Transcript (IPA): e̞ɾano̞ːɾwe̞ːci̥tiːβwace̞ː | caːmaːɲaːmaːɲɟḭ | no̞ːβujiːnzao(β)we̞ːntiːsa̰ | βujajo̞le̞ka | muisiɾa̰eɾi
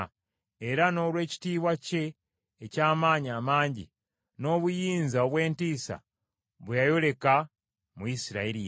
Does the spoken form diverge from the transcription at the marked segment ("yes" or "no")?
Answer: no